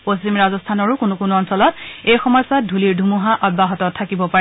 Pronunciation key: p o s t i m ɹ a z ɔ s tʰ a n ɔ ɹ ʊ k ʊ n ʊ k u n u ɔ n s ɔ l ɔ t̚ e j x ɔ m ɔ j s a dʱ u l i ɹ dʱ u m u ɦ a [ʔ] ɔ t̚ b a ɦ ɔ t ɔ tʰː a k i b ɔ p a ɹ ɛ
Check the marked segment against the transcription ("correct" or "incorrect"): correct